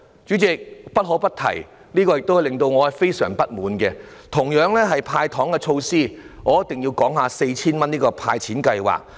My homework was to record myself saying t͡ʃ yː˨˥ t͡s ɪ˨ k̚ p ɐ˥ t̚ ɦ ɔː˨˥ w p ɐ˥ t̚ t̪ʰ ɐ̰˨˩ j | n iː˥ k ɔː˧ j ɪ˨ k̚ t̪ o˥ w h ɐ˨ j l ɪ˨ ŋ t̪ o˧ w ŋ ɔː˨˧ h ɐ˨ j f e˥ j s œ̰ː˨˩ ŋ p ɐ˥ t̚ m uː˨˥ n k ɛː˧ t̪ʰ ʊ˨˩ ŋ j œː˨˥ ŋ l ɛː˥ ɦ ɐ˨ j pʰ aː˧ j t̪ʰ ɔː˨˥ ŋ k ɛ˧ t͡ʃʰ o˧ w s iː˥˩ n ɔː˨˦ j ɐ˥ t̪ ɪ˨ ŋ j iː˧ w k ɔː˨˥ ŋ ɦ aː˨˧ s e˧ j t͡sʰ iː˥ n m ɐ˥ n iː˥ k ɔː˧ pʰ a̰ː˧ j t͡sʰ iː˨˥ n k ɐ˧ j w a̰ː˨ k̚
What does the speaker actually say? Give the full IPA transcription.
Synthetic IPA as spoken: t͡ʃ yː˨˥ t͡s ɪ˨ k̚ p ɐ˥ t̚ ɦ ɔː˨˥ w p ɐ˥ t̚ t̪ʰ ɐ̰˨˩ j | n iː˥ k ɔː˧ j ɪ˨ k̚ t̪ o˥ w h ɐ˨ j l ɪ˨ ŋ t̪ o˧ w ŋ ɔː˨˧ h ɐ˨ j f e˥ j s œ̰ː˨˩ ŋ p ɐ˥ t̚ m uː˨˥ n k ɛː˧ t̪ʰ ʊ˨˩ ŋ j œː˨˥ ŋ l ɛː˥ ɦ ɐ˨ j pʰ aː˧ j t̪ʰ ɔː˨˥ ŋ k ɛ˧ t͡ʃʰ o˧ w s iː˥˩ ŋ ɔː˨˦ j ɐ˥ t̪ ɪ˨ ŋ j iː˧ w k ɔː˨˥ ŋ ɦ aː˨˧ s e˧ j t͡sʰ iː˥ n m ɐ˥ n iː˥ k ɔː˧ pʰ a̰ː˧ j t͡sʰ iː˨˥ n k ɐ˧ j w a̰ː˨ k̚